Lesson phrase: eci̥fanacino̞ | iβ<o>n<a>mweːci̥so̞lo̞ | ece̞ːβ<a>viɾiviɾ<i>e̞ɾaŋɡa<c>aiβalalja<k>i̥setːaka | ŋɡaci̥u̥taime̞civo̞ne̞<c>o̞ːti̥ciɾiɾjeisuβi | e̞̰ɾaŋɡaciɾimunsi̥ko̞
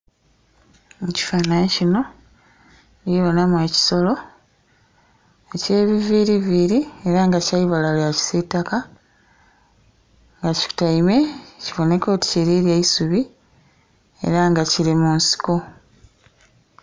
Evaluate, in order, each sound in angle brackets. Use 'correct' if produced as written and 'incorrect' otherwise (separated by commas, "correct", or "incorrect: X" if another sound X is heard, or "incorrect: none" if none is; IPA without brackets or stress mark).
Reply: correct, correct, incorrect: i, correct, correct, incorrect: c, incorrect: k